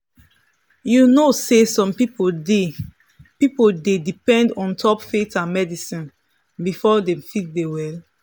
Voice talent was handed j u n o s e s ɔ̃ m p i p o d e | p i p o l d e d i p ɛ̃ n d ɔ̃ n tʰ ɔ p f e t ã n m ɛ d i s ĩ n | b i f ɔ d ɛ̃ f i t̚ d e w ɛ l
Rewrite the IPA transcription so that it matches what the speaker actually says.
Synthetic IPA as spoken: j u n o s e s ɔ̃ m p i p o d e | p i p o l d e d i p ɛ̃ n d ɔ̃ n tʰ ɔ p f e t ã n m ɛ d i s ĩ n | b i f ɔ d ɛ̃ f i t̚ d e w ɛ l